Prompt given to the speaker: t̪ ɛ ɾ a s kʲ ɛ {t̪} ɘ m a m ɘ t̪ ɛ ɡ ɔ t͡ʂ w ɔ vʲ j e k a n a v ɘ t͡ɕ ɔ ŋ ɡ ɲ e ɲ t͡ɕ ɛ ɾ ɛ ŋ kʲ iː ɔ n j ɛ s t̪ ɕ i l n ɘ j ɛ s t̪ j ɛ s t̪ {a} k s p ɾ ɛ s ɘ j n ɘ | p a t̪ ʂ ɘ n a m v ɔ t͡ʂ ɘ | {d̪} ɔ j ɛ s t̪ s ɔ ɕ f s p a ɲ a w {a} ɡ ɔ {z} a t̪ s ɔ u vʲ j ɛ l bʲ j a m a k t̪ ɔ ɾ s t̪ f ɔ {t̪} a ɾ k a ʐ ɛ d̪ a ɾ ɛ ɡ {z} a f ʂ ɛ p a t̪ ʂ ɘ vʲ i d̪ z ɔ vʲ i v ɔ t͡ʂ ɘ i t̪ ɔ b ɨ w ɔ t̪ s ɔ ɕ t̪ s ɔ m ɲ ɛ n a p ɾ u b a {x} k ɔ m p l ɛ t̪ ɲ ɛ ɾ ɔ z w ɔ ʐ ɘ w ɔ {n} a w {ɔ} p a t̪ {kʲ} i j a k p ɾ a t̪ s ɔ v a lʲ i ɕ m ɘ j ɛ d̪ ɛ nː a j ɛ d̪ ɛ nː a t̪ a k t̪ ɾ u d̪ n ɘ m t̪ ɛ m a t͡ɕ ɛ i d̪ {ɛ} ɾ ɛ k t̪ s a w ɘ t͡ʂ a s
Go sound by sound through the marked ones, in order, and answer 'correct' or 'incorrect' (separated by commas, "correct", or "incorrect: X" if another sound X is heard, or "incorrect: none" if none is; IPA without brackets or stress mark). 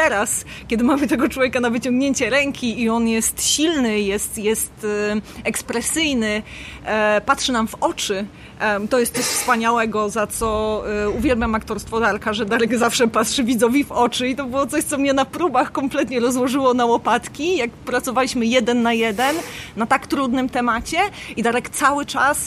incorrect: d̪, incorrect: ɛ, incorrect: t̪, incorrect: ɛ, correct, incorrect: d̪, correct, correct, correct, correct, correct, incorrect: a